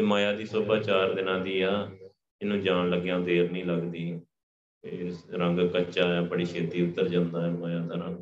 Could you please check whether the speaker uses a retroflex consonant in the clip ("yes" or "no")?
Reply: yes